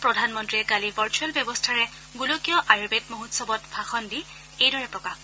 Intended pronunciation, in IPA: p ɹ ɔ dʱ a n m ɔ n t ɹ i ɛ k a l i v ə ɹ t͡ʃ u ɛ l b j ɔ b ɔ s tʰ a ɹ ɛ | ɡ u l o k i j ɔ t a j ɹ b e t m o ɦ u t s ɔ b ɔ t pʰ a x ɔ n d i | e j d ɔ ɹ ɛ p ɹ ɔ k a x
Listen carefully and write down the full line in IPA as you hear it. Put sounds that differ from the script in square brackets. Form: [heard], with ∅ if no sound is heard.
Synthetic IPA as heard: p ɹ ɔ dʱ a n m ɔ n t ɹ i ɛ k a l i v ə ɹ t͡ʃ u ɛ l b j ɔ b ɔ s tʰ a ɹ ɛ | ɡ u l o k i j ɔ [ʔ] a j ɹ b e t m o ɦ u t s ɔ b ɔ t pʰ a x ɔ n d i | e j d ɔ ɹ ɛ p ɹ ɔ k a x